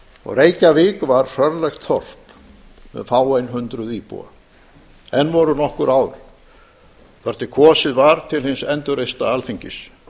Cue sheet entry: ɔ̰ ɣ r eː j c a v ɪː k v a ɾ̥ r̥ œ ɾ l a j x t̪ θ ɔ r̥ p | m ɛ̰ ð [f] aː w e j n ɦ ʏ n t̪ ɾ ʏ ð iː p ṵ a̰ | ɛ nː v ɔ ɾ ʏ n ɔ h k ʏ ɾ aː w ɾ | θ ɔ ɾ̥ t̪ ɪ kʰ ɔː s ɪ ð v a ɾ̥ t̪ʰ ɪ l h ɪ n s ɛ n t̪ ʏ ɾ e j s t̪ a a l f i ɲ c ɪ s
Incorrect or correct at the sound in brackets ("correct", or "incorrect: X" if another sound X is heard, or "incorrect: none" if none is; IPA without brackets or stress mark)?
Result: correct